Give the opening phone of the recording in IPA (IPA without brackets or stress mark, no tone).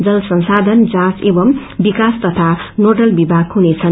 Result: d͡z